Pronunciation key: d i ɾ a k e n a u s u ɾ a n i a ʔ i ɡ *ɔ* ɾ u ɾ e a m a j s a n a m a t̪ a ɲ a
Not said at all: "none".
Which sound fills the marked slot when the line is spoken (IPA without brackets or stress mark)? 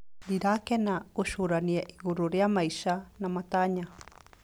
u